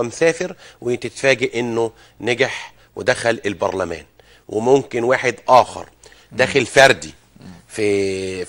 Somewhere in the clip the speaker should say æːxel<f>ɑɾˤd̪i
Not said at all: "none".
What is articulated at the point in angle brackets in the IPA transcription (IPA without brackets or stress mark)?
f